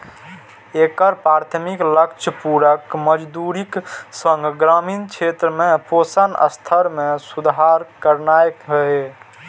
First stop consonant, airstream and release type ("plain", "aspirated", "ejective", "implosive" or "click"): plain